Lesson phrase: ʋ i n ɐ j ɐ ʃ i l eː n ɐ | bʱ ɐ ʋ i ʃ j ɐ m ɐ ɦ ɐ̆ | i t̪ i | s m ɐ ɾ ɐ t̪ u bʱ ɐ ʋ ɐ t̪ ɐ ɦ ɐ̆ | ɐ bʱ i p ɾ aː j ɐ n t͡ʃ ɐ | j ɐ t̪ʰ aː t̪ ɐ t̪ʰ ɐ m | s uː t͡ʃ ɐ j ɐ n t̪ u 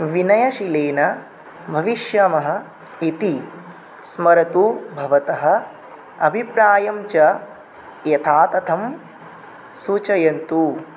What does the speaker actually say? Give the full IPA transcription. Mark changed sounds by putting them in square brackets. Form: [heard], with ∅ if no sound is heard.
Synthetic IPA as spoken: ʋ i n ɐ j ɐ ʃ i l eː n ɐ | bʱ ɐ ʋ i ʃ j ɐ m ɐ ɦ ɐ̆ | i t̪ i | s m ɐ ɾ ɐ t̪ u bʱ ɐ ʋ ɐ t̪ ɐ ɦ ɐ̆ | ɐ bʱ i p ɾ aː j ɐ [m] t͡ʃ ɐ | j ɐ t̪ʰ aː t̪ ɐ t̪ʰ ɐ m | s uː t͡ʃ ɐ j ɐ n t̪ u